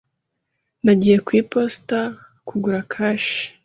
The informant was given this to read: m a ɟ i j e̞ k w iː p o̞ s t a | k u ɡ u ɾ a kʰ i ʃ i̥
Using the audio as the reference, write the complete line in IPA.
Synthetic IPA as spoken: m a ɟ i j e̞ k w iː p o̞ s t a | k u ɡ u ɾ a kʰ a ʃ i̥